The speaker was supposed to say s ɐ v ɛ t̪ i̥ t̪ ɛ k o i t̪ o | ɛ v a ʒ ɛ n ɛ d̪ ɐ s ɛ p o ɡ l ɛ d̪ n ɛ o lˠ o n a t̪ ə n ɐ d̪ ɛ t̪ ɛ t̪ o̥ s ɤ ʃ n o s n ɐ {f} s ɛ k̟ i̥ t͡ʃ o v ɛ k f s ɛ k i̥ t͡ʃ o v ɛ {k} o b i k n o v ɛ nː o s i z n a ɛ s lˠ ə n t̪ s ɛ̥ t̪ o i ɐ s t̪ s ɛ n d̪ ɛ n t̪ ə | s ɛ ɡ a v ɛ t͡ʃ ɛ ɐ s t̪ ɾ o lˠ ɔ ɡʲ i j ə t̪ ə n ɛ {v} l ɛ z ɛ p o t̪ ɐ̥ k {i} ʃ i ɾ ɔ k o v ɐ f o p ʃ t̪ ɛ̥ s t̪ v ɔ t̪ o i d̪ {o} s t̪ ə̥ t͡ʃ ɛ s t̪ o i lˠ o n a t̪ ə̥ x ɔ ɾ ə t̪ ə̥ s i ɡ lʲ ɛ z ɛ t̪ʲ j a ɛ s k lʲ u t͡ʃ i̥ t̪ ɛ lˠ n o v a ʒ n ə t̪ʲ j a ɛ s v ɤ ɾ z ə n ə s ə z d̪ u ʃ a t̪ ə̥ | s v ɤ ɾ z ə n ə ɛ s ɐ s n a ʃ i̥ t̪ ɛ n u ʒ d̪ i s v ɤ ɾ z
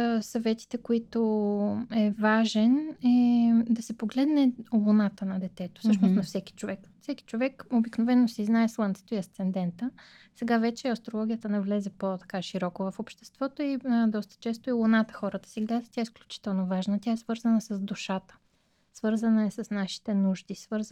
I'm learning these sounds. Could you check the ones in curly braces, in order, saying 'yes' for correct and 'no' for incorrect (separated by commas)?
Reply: yes, yes, yes, no, no